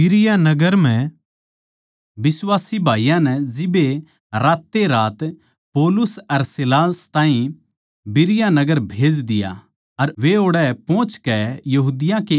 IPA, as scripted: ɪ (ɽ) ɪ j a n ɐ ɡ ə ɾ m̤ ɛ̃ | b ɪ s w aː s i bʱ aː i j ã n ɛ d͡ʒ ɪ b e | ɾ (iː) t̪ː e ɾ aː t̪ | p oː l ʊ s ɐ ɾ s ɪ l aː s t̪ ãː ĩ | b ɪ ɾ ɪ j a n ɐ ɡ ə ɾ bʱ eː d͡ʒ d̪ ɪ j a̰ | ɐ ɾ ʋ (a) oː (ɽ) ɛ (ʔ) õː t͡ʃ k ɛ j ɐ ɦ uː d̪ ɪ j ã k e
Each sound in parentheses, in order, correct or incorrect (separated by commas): incorrect, incorrect, incorrect, correct, incorrect